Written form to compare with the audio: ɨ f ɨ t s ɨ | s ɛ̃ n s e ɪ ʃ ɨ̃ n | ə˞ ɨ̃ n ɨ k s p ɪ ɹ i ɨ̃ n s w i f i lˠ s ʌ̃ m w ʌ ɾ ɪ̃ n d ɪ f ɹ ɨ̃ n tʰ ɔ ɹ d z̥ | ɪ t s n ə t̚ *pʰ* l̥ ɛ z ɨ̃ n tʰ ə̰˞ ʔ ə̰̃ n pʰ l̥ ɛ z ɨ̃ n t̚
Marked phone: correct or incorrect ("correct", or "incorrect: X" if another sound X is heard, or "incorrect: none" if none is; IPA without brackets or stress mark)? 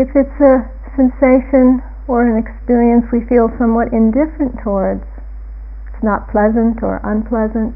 correct